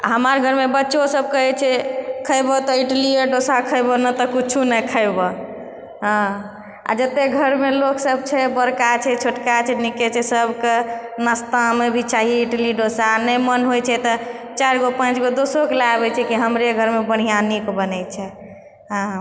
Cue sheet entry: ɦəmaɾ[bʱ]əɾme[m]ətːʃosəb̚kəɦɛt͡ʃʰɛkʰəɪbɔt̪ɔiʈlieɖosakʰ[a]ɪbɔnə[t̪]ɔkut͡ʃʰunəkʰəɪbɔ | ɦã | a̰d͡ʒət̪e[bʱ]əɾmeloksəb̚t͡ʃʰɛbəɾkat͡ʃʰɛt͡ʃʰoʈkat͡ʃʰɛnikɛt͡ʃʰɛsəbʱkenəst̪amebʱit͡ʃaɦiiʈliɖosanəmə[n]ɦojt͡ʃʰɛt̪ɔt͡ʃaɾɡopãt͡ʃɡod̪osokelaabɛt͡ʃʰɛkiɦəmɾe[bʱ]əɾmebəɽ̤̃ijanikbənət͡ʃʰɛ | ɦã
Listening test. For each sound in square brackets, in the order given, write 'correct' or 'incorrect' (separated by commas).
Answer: incorrect, incorrect, incorrect, correct, incorrect, correct, incorrect